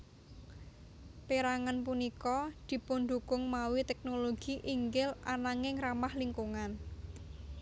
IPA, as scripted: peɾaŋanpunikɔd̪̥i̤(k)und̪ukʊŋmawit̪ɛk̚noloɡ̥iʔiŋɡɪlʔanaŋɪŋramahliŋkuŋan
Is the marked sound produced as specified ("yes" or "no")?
no